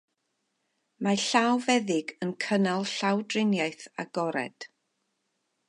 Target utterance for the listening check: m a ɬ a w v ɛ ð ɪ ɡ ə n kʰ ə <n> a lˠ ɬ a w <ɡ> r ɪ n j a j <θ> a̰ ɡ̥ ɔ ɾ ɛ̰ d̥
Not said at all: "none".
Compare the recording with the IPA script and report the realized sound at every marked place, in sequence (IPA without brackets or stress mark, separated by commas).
n, d, θ